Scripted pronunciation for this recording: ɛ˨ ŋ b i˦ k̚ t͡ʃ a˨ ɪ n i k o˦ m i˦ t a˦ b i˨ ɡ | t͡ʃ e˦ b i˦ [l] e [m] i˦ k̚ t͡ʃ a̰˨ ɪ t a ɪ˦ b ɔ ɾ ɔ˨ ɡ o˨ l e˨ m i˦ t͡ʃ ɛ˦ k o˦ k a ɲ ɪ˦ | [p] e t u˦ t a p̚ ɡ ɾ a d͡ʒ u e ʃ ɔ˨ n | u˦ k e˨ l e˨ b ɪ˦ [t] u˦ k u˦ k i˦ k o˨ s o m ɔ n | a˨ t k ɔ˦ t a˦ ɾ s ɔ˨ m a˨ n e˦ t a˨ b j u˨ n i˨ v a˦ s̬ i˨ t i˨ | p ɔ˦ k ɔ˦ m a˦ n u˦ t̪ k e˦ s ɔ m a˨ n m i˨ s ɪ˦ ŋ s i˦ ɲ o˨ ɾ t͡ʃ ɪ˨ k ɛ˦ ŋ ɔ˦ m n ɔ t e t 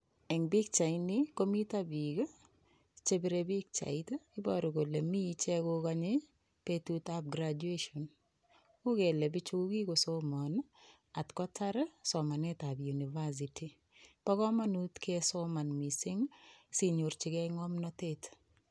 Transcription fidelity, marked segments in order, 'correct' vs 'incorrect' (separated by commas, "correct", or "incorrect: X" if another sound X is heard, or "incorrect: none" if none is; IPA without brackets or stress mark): incorrect: ɾ, incorrect: b, correct, incorrect: t͡ʃ